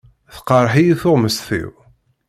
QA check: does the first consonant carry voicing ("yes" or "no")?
no